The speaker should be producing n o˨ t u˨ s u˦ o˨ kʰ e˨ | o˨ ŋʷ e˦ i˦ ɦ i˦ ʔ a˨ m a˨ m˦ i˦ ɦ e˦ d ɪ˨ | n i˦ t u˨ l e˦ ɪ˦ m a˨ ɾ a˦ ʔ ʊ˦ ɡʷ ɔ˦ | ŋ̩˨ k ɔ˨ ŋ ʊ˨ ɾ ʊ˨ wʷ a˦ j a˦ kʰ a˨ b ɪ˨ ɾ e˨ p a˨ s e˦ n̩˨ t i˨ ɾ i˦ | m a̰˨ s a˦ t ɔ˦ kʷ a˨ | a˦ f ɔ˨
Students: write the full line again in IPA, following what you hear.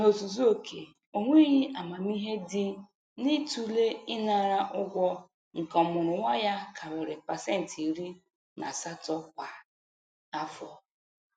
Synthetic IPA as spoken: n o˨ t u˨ z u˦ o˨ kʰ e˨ | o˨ ŋʷ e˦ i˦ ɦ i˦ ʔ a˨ m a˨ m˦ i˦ ɦ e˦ d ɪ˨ | n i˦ t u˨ l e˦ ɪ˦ n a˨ ɾ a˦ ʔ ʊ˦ ɡʷ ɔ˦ | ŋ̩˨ k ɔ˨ m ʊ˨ ɾ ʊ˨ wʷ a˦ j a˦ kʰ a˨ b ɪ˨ ɾ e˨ p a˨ s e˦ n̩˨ t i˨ ɾ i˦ | n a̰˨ s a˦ t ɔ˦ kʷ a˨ | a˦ f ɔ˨